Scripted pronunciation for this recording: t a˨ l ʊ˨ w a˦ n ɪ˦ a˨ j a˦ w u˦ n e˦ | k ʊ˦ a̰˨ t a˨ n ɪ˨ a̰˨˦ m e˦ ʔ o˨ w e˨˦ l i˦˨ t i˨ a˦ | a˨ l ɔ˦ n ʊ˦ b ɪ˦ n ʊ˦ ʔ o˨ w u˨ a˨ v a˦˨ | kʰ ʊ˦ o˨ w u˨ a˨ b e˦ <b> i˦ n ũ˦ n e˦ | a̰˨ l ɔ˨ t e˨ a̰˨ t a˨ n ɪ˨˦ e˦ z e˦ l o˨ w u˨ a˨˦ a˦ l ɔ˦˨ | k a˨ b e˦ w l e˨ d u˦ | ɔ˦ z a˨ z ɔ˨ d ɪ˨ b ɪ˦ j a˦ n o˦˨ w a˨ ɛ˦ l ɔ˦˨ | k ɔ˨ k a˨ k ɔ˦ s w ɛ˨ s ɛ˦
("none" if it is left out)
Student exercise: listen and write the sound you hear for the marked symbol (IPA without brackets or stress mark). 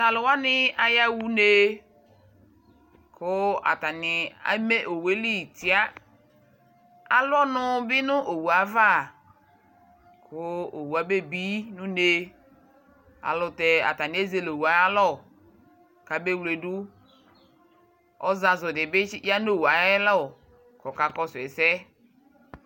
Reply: b